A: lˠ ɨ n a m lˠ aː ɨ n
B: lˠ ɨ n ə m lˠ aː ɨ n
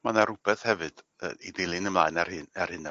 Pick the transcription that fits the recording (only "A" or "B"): B